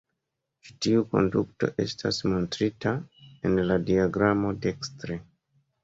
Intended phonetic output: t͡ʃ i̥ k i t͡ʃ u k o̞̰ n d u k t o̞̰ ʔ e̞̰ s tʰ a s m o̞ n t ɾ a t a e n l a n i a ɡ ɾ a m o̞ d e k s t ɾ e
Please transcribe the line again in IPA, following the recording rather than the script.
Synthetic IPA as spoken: t͡ʃ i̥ t i u k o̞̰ n d u k t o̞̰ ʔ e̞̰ s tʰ a s m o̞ n t ɾ i t a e n l a d i a ɡ ɾ a m o̞ d e k s t ɾ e